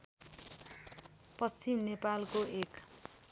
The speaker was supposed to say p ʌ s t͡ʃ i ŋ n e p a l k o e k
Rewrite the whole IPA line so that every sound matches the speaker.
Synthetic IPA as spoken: p ʌ s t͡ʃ i m n e p a l k o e k